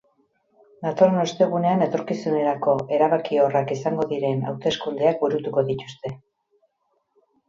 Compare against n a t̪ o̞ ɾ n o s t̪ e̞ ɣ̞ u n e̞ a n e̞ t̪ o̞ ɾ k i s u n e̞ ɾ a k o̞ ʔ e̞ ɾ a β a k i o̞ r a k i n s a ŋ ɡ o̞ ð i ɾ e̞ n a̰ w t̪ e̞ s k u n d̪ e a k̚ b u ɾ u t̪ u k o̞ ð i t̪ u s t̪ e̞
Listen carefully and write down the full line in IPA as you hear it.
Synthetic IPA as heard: n a t̪ o̞ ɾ n o s t̪ e̞ ɣ̞ u n e̞ a n e̞ t̪ o̞ ɾ k i s u n e̞ ɾ a k o̞ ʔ e̞ ɾ a β a k i o̞ r a k i s a ŋ ɡ o̞ ð i ɾ e̞ n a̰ w t̪ e̞ s k u n d̪ e a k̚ b u ɾ u t̪ u k o̞ ð i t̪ u s t̪ e̞